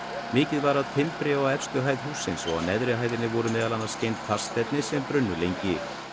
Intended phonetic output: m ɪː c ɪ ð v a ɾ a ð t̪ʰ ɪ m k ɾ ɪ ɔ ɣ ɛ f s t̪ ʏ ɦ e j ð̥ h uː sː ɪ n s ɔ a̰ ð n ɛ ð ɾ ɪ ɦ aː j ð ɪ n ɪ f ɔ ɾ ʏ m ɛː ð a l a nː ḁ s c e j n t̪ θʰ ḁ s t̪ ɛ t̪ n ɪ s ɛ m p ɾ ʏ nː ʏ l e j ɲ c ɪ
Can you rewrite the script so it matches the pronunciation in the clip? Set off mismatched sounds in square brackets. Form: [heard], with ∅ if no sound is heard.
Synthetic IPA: m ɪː c ɪ ð v a ɾ a ð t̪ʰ ɪ m [p] ɾ ɪ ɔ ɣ ɛ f s t̪ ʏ ɦ [a] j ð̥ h uː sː ɪ n s ɔ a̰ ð n ɛ ð ɾ ɪ ɦ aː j ð ɪ n ɪ [v] ɔ ɾ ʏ m ɛː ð a l a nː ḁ s c e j n t̪ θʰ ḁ s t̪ ɛ t̪ n ɪ s ɛ m p ɾ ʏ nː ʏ l e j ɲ c ɪ